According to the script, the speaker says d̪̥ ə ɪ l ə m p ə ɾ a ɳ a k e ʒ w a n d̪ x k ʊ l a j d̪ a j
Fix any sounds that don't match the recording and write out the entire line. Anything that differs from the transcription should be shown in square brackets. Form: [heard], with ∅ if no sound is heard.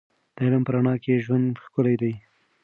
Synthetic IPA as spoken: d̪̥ ə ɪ l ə m p ə ɾ a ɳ [ɑ] k e ʒ w a n d̪ x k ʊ l a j d̪ a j